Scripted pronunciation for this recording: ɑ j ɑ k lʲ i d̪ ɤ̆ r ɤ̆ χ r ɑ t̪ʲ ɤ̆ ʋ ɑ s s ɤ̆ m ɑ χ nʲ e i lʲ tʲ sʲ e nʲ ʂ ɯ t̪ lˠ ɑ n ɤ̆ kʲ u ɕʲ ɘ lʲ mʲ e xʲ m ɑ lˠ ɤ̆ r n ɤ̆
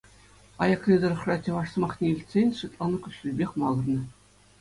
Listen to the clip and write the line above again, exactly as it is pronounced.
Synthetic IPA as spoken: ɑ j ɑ k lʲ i d̪ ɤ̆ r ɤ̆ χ r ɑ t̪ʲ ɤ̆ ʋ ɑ ʂ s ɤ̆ m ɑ χ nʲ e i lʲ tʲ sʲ e nʲ ʂ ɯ t̪ lˠ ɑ n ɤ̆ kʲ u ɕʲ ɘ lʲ bʲ e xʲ m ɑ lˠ ɤ̆ r n ɤ̆